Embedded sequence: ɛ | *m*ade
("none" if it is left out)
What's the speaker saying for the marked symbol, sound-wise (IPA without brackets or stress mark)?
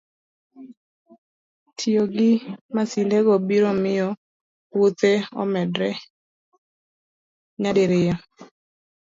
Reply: ɲ